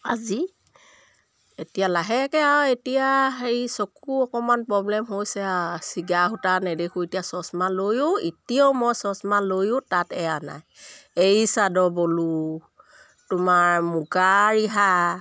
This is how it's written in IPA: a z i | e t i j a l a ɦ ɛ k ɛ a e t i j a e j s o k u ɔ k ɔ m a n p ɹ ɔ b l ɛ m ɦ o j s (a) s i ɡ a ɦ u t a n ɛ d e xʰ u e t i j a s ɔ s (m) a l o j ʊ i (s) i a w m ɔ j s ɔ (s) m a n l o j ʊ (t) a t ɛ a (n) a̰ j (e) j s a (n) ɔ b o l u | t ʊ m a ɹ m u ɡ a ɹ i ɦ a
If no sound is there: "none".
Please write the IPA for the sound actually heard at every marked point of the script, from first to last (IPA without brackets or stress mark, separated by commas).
ɛ, m, t, s, t, n, e, d